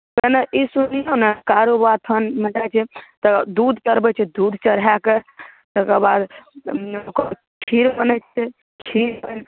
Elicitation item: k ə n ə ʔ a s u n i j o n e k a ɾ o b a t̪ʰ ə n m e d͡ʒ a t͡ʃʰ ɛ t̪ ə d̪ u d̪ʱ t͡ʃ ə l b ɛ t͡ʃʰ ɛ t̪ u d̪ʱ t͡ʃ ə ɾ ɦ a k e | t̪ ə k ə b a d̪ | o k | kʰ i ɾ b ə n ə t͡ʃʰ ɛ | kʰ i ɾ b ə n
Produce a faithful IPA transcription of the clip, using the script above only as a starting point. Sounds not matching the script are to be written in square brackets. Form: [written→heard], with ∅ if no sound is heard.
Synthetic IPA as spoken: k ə n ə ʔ [a→i] s u n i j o n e k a ɾ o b a t̪ʰ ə n m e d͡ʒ a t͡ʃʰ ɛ t̪ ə d̪ u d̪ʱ t͡ʃ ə [l→ɾ] b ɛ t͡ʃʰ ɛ [t̪→d̪] u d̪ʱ t͡ʃ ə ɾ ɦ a k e | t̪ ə k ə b a d̪ | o k | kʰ i ɾ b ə n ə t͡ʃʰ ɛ | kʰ i ɾ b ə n

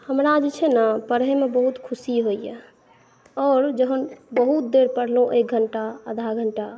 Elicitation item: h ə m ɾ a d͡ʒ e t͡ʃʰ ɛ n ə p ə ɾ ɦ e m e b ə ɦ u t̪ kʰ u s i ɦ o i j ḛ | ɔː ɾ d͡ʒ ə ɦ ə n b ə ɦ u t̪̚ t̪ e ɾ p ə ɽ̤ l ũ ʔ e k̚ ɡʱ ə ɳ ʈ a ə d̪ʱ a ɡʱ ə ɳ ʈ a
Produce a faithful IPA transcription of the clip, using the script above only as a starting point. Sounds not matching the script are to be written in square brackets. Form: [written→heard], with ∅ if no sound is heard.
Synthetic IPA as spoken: h ə m ɾ a d͡ʒ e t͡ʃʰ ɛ n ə p ə ɾ ɦ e m e b ə ɦ u t̪ kʰ u s i ɦ o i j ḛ | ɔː ɾ d͡ʒ ə ɦ ə n b ə ɦ u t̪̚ [t̪→d̪] e ɾ p ə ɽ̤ l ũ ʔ e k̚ ɡʱ ə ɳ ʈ a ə d̪ʱ a ɡʱ ə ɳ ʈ a

